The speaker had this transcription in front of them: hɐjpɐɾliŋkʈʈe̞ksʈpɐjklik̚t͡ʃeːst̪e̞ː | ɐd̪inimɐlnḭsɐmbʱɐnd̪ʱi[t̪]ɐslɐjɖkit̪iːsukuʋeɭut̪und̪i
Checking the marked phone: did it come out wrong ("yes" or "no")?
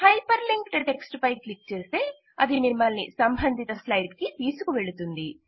no